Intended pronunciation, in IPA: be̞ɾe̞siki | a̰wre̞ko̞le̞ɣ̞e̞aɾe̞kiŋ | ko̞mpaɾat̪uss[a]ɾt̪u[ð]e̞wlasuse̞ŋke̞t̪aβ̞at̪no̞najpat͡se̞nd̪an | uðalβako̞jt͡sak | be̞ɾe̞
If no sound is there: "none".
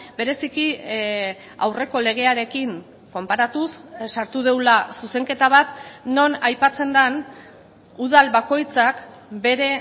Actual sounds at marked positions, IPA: a, ð

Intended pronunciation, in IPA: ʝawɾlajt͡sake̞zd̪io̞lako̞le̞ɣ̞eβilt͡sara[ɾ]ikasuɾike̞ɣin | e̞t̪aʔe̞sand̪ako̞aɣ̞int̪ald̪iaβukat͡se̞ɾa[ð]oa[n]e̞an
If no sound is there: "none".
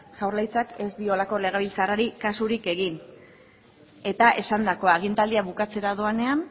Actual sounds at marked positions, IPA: ɾ, ð, n

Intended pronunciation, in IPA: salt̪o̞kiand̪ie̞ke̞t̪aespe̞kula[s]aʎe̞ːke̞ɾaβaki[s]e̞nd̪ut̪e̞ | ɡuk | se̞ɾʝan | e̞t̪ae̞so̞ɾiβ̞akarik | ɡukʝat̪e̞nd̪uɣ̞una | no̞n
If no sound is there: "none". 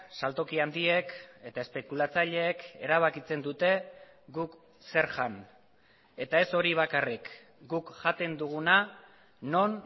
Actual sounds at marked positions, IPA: t͡s, t͡s

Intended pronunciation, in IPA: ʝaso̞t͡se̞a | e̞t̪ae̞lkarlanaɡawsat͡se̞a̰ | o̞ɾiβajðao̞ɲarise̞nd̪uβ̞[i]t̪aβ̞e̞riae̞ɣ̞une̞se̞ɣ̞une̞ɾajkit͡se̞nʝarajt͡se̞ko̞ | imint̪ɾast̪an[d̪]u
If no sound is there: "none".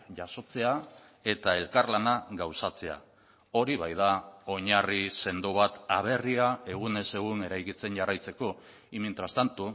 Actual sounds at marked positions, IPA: a, t̪

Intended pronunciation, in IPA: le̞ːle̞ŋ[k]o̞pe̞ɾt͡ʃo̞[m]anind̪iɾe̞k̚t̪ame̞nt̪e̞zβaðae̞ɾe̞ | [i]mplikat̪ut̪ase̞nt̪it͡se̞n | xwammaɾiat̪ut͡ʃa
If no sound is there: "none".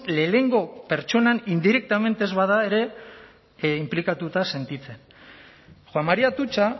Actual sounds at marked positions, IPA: ɡ, n, i

